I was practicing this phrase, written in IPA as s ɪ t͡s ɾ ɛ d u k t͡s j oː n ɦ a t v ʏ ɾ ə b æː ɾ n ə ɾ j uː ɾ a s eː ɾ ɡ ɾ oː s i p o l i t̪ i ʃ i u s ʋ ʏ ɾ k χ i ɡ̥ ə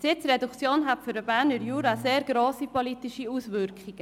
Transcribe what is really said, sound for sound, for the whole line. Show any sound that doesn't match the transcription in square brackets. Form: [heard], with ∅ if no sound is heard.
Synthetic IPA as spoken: s ɪ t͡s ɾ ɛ d u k t͡s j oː n ɦ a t [f] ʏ ɾ ə b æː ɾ n ə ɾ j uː ɾ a s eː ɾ ɡ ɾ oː s i p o l i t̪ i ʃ i u s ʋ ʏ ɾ k χ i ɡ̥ ə